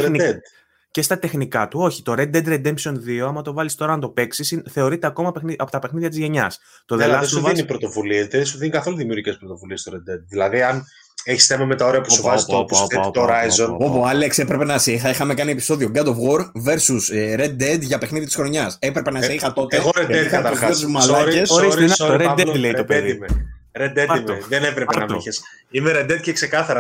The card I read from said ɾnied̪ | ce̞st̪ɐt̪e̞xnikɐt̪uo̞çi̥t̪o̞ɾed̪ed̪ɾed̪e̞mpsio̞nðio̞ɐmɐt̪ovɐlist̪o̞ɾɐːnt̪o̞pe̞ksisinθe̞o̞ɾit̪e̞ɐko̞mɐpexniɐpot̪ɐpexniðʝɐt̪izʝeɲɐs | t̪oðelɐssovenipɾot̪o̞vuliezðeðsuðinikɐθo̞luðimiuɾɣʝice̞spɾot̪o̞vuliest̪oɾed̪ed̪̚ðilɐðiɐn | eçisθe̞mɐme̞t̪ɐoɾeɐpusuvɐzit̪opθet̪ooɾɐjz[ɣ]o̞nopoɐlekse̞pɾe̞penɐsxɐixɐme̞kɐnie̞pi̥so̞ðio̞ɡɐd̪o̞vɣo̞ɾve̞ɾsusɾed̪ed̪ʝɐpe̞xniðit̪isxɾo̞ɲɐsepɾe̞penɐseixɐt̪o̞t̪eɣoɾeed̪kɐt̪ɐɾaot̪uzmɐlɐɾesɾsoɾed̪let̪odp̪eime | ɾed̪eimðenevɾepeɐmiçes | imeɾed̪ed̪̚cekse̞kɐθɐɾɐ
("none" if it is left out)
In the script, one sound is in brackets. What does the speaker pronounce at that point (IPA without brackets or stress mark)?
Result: z